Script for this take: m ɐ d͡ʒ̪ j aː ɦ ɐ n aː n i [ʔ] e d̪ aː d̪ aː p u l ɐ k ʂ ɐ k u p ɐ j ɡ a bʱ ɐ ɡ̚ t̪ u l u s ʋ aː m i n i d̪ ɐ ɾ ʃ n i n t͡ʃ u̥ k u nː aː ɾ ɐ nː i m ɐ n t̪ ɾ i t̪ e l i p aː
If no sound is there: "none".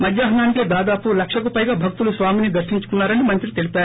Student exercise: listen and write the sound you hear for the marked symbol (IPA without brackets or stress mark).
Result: k